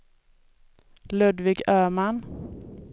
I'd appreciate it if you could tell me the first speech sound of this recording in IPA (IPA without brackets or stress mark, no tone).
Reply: l